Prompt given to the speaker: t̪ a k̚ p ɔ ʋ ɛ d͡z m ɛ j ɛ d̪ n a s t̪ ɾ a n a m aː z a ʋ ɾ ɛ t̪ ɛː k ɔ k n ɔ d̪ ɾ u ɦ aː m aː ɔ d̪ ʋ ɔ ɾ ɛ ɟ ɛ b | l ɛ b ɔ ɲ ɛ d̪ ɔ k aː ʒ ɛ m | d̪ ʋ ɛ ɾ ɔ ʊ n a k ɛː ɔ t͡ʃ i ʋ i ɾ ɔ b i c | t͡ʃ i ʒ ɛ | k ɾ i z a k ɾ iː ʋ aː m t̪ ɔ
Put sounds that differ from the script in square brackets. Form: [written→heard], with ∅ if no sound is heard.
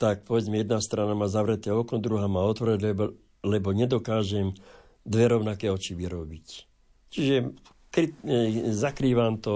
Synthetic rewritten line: t̪ a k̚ p ɔ ʋ ɛ d͡z m ɛ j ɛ d̪ n a s t̪ ɾ a n a m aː z a ʋ ɾ ɛ t̪ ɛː [k→∅] ɔ k n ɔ d̪ ɾ u ɦ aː m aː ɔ [d̪→t̪] ʋ ɔ ɾ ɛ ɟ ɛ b | l ɛ b ɔ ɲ ɛ d̪ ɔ k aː ʒ ɛ m | d̪ ʋ ɛ ɾ ɔ ʊ n a k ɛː ɔ t͡ʃ i ʋ i ɾ ɔ b i c | t͡ʃ i ʒ ɛ | k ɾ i z a k ɾ iː ʋ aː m t̪ ɔ